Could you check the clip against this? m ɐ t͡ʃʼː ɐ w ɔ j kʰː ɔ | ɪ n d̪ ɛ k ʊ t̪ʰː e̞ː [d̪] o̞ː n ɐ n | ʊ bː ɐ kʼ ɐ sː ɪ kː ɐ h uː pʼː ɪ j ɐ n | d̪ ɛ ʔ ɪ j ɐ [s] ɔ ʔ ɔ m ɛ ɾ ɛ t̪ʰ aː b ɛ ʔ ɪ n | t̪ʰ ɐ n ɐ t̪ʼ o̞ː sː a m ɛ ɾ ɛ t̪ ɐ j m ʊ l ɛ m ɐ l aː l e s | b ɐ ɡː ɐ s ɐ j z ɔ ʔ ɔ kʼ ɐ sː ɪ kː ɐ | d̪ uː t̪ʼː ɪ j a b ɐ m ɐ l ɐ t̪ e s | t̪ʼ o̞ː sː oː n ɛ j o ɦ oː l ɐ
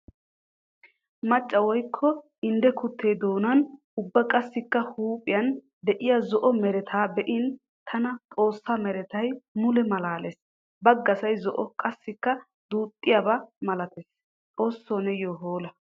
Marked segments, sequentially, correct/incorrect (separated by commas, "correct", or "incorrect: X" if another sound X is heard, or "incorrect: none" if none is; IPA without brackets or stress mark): correct, incorrect: z